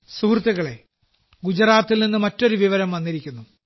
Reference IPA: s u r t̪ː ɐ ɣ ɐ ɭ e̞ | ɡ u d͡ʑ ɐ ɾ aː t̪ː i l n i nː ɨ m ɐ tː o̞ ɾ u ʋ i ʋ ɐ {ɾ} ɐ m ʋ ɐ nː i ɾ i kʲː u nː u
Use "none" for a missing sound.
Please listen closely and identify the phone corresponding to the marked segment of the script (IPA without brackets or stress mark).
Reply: ɾ